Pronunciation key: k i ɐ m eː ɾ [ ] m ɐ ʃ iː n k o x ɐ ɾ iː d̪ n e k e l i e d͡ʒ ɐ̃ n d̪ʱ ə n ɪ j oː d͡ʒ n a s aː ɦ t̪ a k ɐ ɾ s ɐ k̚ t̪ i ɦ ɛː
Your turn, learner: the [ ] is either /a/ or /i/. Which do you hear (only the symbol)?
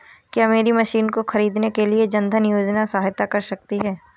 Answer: i